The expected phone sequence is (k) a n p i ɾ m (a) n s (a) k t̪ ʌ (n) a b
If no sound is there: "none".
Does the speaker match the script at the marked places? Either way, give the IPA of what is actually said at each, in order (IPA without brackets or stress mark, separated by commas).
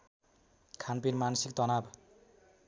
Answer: kʰ, a, i, n